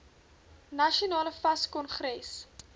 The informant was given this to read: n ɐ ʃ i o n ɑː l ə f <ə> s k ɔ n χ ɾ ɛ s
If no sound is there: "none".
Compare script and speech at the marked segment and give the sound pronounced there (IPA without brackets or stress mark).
ɐ